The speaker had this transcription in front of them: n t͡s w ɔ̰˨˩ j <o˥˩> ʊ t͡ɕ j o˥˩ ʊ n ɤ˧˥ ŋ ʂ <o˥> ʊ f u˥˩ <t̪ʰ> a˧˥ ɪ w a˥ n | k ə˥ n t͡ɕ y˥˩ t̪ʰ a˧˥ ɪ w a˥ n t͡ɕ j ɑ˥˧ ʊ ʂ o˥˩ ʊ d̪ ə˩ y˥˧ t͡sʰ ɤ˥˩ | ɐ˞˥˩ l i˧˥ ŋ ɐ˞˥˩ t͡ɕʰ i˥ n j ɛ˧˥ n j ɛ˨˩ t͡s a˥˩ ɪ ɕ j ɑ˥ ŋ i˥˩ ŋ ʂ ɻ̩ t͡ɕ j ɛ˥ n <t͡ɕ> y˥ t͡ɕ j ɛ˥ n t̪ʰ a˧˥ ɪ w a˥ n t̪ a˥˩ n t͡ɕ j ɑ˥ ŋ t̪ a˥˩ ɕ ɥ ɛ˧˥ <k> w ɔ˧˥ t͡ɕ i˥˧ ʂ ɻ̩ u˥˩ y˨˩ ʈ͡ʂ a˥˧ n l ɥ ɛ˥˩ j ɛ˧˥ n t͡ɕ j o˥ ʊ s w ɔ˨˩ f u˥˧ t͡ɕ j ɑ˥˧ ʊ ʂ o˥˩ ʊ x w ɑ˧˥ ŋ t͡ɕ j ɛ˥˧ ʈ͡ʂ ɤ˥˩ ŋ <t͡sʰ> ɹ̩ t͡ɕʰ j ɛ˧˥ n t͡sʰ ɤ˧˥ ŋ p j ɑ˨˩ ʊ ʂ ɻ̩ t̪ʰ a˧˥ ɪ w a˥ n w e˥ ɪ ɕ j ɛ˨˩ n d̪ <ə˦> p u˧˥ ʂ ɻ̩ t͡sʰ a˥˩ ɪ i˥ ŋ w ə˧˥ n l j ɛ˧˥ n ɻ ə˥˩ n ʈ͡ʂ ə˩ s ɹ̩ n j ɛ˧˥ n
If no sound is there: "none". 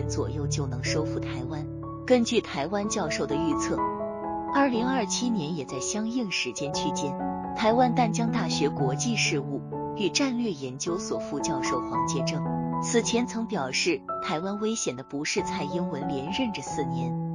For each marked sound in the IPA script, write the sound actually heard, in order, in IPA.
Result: o˥˩, o˥, t̪ʰ, t͡ɕʰ, k, t͡sʰ, ə˦

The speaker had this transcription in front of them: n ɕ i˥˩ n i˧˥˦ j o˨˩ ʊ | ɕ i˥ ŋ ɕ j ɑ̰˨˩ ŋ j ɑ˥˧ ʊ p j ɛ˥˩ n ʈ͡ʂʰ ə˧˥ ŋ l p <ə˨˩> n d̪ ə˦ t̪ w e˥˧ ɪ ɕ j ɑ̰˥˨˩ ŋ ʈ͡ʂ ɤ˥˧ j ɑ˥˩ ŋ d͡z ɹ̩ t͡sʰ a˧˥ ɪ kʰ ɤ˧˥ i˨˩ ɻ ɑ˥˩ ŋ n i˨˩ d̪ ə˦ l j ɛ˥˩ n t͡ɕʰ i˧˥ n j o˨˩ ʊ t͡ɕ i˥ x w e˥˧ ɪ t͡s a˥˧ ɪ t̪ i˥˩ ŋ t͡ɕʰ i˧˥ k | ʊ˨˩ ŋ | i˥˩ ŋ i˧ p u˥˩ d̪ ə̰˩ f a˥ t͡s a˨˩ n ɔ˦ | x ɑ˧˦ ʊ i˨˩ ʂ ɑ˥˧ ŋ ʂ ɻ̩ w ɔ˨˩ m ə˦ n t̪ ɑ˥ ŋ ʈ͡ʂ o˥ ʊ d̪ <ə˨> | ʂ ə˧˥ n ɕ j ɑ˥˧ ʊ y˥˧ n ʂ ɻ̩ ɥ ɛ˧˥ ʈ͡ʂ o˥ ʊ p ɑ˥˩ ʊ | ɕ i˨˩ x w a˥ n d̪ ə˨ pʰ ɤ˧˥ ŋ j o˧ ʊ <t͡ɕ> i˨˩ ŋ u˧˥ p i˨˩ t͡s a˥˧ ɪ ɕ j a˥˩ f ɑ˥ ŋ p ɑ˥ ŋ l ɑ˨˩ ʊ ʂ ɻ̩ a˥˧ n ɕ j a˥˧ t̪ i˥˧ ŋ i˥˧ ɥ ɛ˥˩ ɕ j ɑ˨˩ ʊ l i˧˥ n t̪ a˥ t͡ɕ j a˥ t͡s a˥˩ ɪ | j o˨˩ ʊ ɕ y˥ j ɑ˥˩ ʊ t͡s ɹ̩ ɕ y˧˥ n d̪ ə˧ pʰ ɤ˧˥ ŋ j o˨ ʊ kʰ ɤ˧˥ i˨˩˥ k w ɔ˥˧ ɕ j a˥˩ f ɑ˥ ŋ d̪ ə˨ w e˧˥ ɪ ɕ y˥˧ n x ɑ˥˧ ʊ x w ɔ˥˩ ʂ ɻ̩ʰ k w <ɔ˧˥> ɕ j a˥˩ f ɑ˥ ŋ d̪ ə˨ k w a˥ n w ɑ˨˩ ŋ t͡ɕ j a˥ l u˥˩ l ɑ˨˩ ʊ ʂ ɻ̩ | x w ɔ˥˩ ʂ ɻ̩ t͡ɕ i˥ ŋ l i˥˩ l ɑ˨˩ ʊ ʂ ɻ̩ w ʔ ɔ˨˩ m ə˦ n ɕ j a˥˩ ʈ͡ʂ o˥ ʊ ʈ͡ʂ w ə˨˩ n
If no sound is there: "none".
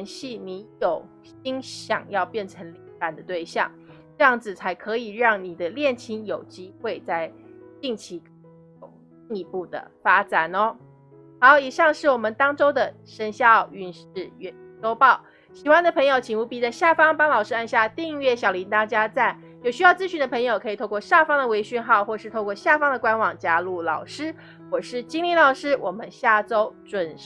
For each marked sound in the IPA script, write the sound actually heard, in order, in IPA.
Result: a˨˩, ə˨, t͡ɕʰ, ɔ˥˧

